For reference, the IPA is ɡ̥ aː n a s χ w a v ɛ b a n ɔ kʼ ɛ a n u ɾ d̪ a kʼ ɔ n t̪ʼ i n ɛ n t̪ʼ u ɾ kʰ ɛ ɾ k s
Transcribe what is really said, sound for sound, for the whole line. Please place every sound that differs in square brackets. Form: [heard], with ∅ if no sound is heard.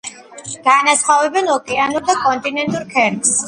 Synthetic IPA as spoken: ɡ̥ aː n a s χ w a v ɛ b [ɛ] n ɔ kʼ ɛ a n u ɾ d̪ a kʼ ɔ n t̪ʼ i n ɛ n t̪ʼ u ɾ kʰ ɛ ɾ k s